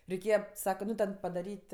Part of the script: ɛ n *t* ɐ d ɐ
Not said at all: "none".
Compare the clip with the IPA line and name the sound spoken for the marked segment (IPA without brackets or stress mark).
p